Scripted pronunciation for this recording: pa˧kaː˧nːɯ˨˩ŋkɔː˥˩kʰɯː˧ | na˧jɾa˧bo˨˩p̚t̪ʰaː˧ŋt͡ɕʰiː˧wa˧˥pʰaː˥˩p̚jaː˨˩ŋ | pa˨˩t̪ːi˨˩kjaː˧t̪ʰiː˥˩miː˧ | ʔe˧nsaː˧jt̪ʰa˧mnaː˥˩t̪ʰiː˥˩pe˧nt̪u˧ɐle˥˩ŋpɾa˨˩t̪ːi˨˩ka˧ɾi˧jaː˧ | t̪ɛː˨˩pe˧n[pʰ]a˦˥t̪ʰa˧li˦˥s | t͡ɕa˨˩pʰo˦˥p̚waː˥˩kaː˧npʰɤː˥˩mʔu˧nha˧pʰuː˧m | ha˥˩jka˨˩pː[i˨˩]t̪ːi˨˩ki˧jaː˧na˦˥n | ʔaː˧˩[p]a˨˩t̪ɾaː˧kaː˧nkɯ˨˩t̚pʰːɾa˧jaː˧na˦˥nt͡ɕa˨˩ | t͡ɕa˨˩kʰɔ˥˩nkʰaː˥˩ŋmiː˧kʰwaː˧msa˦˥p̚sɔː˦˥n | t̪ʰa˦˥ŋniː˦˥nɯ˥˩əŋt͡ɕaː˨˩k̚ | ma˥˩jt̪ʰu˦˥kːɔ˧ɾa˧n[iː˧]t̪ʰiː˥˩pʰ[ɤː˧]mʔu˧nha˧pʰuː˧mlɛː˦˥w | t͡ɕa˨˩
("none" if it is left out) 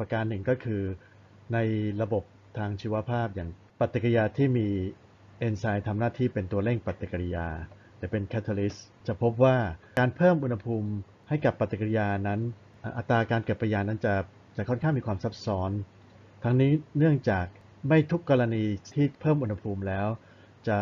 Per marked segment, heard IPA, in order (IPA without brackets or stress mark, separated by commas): kʰ, a˨˩, ʔ, iː˧, ɤː˥˩